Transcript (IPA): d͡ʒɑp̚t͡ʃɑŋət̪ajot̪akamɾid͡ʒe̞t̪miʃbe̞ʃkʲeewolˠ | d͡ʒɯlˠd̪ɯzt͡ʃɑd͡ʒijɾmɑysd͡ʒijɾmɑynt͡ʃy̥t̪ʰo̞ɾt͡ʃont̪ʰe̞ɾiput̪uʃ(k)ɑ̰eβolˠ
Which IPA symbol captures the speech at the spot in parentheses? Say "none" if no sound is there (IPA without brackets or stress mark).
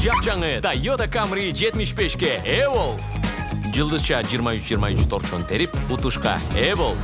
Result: q